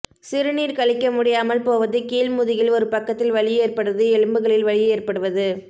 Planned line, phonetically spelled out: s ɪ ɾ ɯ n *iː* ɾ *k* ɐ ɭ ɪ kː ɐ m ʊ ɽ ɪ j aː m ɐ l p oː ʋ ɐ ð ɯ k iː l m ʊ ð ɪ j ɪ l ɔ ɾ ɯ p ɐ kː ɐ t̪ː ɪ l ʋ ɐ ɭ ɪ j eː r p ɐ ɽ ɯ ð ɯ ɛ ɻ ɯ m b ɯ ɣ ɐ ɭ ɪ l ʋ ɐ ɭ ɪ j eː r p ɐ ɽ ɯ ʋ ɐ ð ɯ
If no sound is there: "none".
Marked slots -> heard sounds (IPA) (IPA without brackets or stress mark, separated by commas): iː, k